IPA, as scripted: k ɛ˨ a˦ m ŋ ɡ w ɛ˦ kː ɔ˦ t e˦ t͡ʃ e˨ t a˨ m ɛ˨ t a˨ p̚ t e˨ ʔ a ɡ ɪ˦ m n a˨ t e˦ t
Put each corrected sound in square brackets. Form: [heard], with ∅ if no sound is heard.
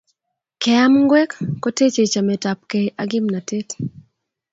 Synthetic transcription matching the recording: k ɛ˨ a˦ m ŋ ɡ w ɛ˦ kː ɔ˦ t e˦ t͡ʃ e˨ [t͡ʃ] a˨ m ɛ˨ t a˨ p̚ [k] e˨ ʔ a ɡ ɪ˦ m n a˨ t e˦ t